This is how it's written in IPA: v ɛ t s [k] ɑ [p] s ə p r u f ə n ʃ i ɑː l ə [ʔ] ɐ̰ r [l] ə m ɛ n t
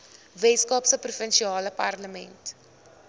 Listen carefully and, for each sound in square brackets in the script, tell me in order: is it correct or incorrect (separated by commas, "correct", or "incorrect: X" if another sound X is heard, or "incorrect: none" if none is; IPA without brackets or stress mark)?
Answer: correct, correct, incorrect: p, correct